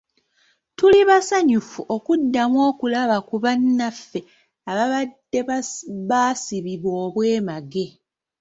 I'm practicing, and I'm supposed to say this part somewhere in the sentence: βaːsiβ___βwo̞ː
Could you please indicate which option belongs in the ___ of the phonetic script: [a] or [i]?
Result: i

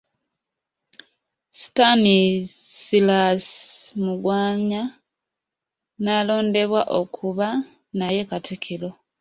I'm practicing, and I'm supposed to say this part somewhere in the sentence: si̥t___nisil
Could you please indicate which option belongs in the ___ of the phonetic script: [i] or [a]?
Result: a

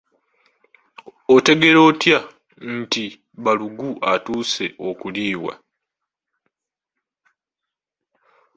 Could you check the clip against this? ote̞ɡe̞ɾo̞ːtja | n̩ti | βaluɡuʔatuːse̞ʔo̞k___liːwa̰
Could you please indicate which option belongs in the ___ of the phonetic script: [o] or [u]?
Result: u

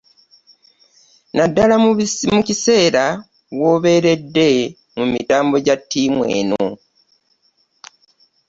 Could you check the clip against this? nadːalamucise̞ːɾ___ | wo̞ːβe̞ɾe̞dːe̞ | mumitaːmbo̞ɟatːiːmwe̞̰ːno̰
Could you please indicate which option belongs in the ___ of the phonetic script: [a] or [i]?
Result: a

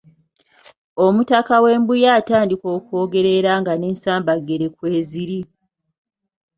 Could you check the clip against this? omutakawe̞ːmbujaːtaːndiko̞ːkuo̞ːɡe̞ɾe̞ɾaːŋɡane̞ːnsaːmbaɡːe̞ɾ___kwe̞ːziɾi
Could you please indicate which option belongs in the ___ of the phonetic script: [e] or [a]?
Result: e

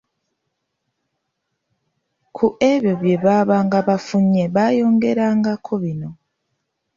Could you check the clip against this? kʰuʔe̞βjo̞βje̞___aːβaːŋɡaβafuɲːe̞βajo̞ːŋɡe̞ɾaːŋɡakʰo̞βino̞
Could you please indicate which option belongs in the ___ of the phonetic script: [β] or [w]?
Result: β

